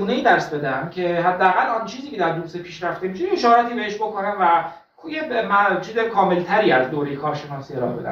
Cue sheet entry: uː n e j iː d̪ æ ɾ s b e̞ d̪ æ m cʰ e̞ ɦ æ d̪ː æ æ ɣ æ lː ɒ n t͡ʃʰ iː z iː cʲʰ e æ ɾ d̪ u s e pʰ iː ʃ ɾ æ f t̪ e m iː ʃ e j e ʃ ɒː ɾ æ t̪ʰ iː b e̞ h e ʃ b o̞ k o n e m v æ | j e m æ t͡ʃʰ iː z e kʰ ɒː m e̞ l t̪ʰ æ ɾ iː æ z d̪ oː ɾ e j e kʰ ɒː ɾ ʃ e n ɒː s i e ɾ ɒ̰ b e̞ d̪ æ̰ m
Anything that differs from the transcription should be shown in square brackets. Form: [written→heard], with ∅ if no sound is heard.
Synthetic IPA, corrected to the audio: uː n e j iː d̪ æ ɾ s b e̞ d̪ æ m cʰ e̞ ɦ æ d̪ː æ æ ɣ æ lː ɒ n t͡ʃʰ iː z iː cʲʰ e æ ɾ d̪ u s e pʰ iː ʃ ɾ æ f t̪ e m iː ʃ e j e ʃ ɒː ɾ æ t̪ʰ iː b e̞ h e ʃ b o̞ k o n [e→æ] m v æ | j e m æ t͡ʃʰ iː z e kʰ ɒː m e̞ l t̪ʰ æ ɾ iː æ z d̪ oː ɾ e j e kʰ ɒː ɾ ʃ e n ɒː s i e ɾ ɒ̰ b e̞ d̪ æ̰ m